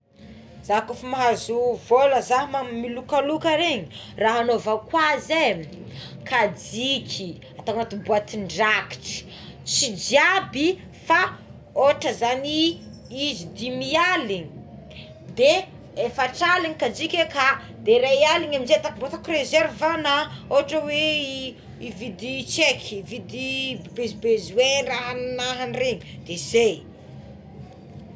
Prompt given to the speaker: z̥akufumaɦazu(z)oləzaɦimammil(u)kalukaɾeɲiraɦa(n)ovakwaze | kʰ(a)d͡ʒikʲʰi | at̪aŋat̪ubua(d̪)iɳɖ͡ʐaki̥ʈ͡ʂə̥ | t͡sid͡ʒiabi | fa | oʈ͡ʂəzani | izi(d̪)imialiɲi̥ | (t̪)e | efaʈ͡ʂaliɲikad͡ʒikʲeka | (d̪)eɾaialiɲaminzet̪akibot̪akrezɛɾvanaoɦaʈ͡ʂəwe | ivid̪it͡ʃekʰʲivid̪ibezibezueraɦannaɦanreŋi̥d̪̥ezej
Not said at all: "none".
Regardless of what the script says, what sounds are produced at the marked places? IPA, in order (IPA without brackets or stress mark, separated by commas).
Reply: v, u, n, a, t̪, d̪, d̪, d̪